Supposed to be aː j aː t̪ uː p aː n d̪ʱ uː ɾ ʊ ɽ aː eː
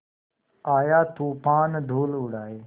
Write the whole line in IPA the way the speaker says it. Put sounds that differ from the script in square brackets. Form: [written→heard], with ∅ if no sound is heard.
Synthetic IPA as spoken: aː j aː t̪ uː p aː n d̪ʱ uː [ɾ→l] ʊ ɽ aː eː